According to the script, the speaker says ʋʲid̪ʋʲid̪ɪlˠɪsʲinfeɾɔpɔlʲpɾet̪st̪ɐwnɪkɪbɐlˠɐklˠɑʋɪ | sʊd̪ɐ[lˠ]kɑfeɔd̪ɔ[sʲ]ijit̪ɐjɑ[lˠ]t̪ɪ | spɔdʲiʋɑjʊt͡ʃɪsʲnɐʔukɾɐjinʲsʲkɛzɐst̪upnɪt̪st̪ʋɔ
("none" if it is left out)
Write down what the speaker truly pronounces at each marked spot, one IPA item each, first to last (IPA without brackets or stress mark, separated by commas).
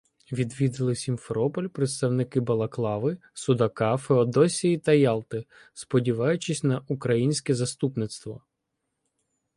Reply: none, sʲ, lˠ